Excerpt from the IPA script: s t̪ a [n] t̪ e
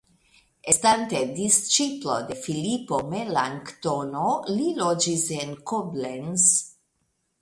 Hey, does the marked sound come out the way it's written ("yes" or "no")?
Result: yes